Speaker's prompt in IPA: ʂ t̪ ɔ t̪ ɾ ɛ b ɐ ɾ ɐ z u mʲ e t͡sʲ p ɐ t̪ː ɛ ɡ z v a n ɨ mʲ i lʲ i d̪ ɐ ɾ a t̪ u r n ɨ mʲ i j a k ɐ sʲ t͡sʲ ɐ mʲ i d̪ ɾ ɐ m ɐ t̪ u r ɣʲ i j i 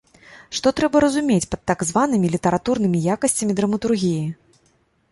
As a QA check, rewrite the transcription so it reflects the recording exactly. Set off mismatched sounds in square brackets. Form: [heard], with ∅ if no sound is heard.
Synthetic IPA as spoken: ʂ t̪ ɔ t̪ ɾ ɛ b ɐ ɾ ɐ z u mʲ e t͡sʲ p ɐ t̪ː [a] ɡ z v a n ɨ mʲ i lʲ i [t̪] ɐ ɾ a t̪ u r n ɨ mʲ i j a k ɐ sʲ t͡sʲ ɐ mʲ i d̪ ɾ ɐ m ɐ t̪ u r ɣʲ i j i